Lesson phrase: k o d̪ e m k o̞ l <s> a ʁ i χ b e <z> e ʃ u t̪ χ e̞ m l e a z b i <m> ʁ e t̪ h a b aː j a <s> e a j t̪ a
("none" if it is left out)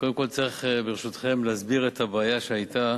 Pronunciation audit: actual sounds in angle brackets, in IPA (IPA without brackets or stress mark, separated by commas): t͡s, ʁ, none, ʃ